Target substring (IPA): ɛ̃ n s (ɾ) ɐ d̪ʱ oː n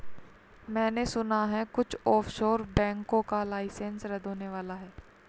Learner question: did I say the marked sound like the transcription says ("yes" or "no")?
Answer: yes